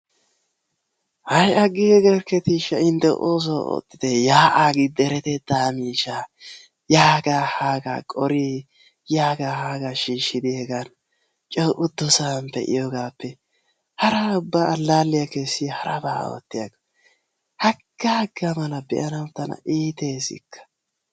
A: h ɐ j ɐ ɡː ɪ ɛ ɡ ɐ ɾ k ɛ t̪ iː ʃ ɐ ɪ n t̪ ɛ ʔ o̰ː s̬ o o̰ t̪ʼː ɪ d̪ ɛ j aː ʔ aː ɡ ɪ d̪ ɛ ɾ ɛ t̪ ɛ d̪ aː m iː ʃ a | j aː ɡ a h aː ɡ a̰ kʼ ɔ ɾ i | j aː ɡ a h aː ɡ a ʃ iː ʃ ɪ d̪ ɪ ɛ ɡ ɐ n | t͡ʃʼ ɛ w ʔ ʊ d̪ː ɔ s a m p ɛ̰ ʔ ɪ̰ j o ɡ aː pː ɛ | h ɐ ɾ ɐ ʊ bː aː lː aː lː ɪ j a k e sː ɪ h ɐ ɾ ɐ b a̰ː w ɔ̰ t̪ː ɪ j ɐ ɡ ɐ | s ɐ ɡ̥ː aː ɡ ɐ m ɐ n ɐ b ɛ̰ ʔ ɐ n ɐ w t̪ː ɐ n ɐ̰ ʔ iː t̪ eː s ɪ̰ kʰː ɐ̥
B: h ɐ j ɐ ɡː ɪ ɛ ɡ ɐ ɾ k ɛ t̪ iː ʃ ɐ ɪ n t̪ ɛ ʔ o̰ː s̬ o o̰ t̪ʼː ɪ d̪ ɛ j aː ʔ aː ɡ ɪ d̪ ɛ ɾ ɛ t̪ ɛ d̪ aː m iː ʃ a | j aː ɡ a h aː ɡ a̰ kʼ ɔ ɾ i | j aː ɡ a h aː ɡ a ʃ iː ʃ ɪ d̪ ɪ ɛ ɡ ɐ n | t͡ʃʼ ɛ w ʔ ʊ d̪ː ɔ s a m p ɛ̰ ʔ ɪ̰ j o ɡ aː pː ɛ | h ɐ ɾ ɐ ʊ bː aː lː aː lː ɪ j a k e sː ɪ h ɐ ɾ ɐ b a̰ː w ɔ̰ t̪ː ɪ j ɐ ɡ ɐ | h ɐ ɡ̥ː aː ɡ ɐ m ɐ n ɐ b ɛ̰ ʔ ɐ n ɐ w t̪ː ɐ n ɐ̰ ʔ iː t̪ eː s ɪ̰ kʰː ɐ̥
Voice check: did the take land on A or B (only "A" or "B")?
B